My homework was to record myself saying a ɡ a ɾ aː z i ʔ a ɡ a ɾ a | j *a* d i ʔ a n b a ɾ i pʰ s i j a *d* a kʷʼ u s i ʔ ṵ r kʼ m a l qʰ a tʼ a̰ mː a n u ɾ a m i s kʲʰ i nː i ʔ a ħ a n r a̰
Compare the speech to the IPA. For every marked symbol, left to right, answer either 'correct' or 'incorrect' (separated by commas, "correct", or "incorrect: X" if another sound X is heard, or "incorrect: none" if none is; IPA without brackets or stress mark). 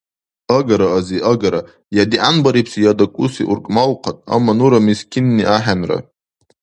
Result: correct, correct